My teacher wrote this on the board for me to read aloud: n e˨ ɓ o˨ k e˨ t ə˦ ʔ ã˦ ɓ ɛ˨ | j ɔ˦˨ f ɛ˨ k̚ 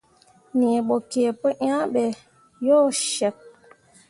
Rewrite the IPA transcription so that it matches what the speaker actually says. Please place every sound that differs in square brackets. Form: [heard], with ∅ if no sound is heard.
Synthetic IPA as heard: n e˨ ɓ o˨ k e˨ [p] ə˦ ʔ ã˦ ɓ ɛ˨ | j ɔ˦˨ [ʃ] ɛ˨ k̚